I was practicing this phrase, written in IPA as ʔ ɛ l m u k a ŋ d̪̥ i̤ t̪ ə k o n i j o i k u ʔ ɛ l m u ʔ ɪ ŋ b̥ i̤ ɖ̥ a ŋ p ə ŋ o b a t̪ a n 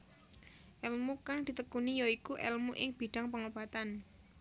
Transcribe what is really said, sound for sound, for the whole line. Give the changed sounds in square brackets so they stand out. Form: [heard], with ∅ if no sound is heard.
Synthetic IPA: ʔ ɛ l m u k a ŋ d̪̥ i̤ t̪ ə k [u] n i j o i k u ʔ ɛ l m u ʔ ɪ ŋ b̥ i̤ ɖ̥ a ŋ p ə ŋ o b a t̪ a n

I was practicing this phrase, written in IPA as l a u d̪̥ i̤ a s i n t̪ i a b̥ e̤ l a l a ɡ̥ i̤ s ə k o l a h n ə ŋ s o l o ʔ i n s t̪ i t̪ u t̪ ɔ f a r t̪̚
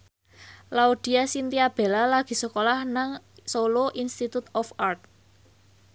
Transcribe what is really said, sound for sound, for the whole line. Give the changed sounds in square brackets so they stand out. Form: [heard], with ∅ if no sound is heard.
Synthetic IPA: l a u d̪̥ i̤ a s i n t̪ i a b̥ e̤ l a l a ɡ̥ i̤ s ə k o l a h n [a] ŋ s o l o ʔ i n s t̪ i t̪ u t̪ ɔ f a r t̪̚

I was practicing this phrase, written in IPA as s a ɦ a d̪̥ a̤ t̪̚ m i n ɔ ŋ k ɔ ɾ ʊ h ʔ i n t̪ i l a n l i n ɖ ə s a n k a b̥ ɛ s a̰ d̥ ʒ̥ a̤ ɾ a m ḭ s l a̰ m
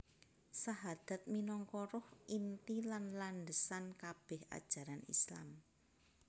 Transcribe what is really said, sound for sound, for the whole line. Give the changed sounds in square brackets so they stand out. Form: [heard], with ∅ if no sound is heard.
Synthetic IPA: s a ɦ a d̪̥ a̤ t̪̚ m i n ɔ ŋ k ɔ ɾ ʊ h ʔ i n t̪ i l a n l [a] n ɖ ə s a n k a b̥ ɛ [h] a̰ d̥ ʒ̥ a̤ ɾ a [n] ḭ s l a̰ m

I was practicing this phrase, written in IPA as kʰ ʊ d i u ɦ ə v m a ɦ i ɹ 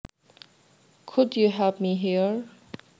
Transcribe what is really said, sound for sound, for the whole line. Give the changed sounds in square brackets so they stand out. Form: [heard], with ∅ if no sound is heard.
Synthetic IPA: kʰ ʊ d [j] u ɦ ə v m [i] ɦ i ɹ

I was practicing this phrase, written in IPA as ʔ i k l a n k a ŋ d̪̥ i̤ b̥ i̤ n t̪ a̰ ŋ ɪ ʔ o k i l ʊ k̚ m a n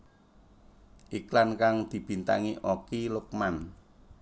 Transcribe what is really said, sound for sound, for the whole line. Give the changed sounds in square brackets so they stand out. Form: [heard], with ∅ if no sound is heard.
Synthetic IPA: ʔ i k l a n k a ŋ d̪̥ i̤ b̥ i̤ n t̪ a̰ ŋ [i] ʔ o k i l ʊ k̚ m a n

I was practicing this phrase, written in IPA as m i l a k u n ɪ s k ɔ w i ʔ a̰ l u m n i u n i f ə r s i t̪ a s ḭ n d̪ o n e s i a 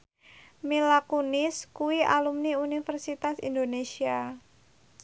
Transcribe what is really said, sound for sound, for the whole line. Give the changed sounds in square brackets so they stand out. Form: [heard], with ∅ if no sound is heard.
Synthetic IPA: m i l a k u n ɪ s k [u] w i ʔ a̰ l u m n i u n i f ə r s i t̪ a s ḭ n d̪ o n e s i a

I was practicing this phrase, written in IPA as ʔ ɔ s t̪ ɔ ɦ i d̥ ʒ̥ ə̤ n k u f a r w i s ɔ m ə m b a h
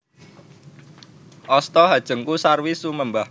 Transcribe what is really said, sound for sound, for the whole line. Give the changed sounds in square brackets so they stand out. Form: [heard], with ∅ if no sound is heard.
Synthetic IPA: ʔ ɔ s t̪ ɔ ɦ [a] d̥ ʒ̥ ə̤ [ŋ] k u [s] a r w i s [u] m ə m b a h

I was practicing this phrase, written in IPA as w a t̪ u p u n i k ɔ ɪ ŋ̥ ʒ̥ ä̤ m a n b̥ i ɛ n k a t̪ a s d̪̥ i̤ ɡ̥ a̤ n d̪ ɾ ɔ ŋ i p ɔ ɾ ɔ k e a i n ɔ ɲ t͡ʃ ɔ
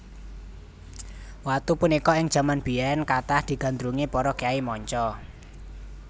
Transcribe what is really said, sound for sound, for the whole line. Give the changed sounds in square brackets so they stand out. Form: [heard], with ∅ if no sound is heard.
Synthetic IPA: w a t̪ u p u n i k ɔ ɪ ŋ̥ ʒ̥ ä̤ m a n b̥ i ɛ n k a t̪ a [h] d̪̥ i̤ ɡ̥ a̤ n d̪ ɾ [u] ŋ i p ɔ ɾ ɔ k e a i [m] ɔ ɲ t͡ʃ ɔ

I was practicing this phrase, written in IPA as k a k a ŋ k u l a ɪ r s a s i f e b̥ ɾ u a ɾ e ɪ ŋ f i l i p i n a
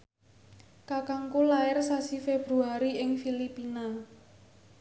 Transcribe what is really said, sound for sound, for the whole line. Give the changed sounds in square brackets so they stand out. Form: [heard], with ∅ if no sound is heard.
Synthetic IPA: k a k a ŋ k u l a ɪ r s a s i f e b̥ ɾ u a ɾ [i] ɪ ŋ f i l i p i n a

